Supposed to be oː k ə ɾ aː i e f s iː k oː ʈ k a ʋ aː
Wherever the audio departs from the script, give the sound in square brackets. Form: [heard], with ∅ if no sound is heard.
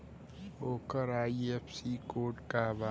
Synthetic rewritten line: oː k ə ɾ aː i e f s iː k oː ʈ k a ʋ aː